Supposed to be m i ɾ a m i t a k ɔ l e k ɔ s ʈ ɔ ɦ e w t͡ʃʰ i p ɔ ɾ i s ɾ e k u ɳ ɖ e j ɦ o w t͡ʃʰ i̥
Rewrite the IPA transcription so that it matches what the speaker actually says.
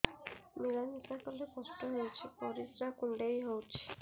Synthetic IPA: m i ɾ a n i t a k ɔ l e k ɔ s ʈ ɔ ɦ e w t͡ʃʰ i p ɔ ɾ i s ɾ a k u ɳ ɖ e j ɦ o w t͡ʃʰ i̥